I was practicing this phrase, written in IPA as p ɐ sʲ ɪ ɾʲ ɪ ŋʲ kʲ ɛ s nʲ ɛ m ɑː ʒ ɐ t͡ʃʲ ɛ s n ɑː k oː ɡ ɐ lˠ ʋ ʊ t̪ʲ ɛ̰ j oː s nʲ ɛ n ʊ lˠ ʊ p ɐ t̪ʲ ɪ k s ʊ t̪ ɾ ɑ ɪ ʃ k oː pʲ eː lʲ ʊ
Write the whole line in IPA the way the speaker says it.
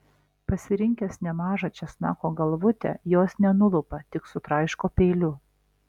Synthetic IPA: p ɐ sʲ ɪ ɾʲ ɪ ŋʲ kʲ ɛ s nʲ ɛ m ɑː ʒ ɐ t͡ʃʲ ɛ s n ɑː k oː ɡ ɐ lˠ ʋ ʊ t̪ʲ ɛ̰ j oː s nʲ ɛ n ʊ lˠ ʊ p ɐ t̪ʲ ɪ k s ʊ t̪ ɾ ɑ ɪ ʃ k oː pʲ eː lʲ ʊ